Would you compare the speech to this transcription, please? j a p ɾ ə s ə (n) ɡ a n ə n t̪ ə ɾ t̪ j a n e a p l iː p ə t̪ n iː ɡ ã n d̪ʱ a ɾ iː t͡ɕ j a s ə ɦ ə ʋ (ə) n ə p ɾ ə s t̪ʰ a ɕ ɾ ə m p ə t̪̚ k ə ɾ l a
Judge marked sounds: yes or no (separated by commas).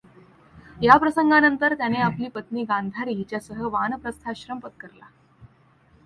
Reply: no, no